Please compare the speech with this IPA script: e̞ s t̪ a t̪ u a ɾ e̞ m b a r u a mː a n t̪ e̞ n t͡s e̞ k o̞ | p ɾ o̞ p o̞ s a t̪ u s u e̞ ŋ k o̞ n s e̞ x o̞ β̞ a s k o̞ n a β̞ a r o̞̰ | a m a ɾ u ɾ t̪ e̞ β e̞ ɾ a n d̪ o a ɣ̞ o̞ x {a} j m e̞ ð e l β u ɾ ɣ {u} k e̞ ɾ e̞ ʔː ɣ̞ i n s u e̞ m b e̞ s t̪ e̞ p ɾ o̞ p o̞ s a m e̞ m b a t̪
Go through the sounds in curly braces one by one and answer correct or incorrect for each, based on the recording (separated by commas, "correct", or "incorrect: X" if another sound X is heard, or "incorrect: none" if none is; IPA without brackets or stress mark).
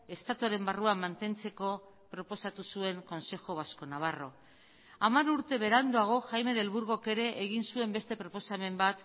correct, incorrect: o